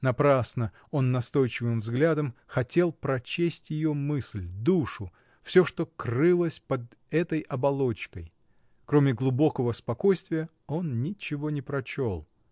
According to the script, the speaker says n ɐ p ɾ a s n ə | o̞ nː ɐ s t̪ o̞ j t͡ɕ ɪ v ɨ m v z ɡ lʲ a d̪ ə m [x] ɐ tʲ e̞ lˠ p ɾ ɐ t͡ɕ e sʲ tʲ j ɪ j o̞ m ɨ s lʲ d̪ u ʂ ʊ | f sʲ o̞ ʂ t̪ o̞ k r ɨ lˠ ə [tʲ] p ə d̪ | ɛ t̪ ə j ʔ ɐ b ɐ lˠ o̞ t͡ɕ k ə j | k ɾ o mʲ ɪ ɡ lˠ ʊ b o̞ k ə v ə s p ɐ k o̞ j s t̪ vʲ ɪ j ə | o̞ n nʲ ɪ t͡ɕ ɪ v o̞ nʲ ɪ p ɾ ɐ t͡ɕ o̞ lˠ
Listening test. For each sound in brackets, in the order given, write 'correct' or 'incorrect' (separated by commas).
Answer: correct, incorrect